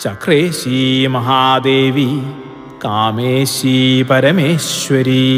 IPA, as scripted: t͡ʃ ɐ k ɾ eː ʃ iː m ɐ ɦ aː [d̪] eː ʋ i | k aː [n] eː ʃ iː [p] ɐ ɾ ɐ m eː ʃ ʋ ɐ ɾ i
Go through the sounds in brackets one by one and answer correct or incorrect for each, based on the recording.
correct, incorrect: m, correct

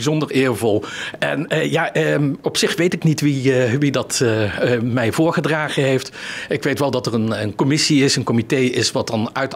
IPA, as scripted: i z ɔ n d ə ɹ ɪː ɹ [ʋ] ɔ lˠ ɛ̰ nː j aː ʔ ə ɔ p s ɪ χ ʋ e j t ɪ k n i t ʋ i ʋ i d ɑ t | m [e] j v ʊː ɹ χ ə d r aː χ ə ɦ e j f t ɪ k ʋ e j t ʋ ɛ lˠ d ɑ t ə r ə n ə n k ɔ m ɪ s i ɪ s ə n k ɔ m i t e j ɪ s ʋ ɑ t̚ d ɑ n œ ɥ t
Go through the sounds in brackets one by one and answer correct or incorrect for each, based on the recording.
incorrect: v, incorrect: ɛ

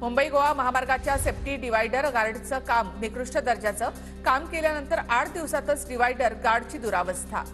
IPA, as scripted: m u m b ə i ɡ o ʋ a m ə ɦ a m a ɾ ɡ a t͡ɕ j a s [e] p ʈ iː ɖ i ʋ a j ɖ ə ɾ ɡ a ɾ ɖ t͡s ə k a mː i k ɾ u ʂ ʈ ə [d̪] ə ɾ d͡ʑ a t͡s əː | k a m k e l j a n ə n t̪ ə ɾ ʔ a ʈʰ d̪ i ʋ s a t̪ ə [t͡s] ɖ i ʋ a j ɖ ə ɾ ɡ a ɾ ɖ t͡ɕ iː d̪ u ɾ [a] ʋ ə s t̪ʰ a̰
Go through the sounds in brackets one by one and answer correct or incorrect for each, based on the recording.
correct, correct, correct, correct

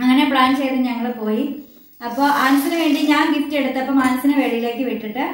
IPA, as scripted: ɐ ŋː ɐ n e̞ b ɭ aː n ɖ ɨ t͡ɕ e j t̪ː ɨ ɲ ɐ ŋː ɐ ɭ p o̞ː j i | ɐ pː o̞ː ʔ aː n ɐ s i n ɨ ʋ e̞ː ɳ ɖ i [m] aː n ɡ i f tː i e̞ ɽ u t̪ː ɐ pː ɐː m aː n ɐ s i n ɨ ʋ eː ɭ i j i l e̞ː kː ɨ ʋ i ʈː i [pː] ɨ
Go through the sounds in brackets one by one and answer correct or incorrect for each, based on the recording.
incorrect: ɲ, incorrect: ʈː

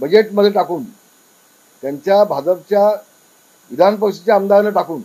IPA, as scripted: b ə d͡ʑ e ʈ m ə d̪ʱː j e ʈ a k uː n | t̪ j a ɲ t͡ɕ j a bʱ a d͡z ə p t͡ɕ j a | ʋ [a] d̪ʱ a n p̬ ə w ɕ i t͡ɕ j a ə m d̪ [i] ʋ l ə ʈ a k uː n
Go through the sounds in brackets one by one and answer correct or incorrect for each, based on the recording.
incorrect: i, incorrect: a

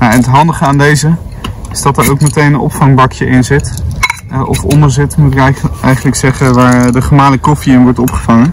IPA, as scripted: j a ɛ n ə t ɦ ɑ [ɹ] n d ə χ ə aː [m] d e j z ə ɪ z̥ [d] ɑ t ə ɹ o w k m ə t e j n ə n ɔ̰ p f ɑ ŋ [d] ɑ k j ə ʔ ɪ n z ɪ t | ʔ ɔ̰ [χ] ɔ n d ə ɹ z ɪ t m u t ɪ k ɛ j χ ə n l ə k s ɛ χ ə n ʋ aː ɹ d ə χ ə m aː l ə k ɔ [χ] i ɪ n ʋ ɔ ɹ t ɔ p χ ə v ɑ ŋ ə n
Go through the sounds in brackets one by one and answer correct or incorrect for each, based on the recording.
incorrect: none, incorrect: n, correct, incorrect: b, incorrect: f, incorrect: f

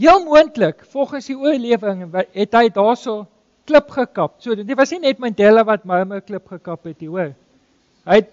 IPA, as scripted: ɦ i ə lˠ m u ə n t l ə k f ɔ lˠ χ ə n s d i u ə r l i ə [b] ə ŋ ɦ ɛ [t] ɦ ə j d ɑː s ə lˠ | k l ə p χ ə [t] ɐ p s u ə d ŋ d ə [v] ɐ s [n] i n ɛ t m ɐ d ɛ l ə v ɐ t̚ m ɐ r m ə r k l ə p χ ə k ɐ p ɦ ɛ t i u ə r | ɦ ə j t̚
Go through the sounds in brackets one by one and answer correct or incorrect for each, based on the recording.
incorrect: v, correct, incorrect: k, correct, correct

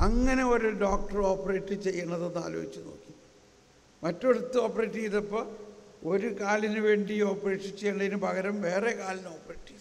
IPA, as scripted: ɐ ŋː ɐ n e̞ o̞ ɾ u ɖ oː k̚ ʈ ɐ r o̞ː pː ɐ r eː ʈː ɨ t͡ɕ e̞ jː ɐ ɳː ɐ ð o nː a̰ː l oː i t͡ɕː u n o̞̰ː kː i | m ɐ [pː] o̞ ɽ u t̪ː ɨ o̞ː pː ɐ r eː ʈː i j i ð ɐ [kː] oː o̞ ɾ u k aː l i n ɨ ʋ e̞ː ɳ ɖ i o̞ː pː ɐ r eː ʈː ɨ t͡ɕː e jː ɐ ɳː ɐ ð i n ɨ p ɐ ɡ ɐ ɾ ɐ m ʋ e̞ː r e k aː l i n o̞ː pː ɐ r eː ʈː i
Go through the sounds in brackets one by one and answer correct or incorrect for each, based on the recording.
incorrect: tː, incorrect: pː

